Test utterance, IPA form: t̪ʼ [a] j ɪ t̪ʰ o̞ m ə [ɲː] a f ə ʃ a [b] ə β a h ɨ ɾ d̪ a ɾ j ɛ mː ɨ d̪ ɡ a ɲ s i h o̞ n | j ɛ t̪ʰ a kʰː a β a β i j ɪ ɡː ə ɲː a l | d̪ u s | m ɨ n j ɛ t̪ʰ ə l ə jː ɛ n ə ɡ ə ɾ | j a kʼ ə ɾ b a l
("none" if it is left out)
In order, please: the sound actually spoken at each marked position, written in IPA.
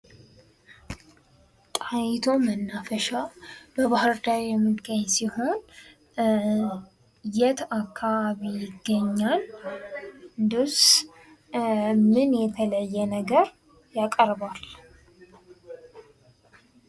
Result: a, nː, b

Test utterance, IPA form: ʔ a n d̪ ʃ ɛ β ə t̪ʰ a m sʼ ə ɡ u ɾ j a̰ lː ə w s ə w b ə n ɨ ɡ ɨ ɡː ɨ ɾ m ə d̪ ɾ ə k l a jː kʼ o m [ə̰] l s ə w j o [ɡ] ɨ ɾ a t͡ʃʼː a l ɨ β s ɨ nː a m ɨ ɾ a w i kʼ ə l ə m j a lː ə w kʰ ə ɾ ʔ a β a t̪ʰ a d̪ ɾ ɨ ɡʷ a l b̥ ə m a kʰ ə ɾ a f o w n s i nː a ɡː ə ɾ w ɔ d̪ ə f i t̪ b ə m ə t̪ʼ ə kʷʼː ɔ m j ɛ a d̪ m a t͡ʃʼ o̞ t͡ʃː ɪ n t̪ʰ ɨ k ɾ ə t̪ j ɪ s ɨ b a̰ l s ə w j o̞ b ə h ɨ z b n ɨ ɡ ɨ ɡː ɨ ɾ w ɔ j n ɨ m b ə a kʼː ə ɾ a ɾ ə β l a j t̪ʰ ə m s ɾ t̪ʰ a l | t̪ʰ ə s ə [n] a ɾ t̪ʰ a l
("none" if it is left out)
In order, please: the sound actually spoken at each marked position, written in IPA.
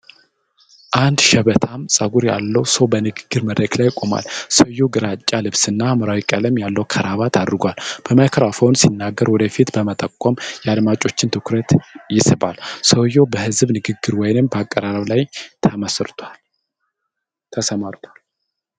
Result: a̰, ɡ, m

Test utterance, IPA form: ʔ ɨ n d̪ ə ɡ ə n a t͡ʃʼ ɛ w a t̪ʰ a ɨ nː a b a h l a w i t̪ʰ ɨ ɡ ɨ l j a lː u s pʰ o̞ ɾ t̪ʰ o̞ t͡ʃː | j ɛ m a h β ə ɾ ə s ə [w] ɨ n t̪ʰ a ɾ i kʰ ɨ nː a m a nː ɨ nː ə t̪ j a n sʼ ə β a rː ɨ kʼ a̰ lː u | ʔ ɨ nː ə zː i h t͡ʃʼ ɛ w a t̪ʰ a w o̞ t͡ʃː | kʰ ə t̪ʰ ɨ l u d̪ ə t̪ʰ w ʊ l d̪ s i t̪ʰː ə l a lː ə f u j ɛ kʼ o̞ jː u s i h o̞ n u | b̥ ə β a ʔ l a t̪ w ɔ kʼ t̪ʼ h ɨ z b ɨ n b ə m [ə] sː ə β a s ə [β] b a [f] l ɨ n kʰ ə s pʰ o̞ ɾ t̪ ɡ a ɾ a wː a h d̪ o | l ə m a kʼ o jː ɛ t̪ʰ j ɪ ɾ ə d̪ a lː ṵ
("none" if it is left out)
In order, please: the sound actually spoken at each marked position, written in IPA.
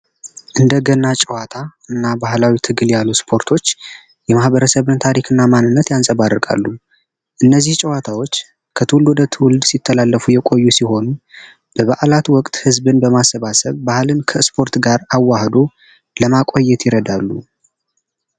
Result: β, a, β, h

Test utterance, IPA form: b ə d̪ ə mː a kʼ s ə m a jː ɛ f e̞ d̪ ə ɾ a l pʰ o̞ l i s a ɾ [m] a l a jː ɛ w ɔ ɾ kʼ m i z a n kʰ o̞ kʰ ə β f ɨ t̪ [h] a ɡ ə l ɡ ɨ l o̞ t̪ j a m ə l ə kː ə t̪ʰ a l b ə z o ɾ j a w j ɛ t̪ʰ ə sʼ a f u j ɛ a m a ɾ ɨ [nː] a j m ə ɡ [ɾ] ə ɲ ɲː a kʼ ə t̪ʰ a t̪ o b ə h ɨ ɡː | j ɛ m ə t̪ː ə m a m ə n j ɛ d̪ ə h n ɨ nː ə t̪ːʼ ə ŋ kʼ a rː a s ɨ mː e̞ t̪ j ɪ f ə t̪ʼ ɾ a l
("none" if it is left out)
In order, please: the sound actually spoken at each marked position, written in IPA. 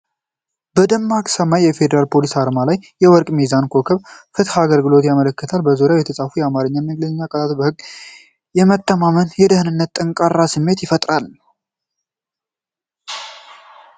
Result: m, h, ɲː, l

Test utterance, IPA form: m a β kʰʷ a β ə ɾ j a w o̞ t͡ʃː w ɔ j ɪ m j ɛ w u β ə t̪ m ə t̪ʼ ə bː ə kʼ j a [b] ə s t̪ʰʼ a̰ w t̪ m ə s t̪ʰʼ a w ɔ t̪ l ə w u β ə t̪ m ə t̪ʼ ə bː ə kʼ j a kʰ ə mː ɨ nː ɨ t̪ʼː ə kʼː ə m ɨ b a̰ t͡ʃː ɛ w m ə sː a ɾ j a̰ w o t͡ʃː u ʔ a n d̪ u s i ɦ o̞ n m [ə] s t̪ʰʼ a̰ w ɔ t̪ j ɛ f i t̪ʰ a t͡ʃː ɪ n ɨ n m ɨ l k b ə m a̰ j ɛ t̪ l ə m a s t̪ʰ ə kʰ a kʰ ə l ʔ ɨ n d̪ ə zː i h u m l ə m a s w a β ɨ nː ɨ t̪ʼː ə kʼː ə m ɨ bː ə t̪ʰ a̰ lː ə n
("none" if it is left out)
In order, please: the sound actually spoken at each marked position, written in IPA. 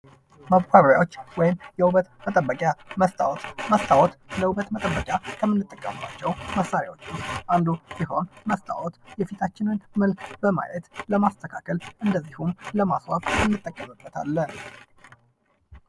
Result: m, ə

